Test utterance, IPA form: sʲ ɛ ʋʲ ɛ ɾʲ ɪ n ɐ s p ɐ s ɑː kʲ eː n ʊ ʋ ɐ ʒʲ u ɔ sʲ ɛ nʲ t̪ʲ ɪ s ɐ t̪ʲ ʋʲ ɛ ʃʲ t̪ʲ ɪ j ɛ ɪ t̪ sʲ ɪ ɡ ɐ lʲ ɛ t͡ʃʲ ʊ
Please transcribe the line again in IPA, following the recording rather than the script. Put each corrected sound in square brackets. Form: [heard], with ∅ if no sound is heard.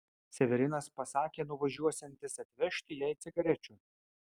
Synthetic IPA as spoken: sʲ ɛ ʋʲ ɛ ɾʲ ɪ n ɐ s p ɐ s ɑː kʲ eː n ʊ ʋ ɐ ʒʲ u ɔ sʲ ɛ nʲ t̪ʲ ɪ s ɐ t̪ʲ ʋʲ ɛ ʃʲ t̪ʲ ɪ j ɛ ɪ t̪ sʲ ɪ ɡ ɐ [ɾʲ] ɛ t͡ʃʲ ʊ